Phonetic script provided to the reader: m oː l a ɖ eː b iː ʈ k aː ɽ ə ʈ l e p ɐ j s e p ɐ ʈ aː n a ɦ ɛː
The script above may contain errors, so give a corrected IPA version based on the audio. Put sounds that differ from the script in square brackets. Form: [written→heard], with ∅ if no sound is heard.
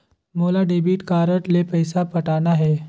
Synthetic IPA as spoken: m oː l a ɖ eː b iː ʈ k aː [ɽ→ɾ] ə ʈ l e p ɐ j s [e→a] p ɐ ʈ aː n a ɦ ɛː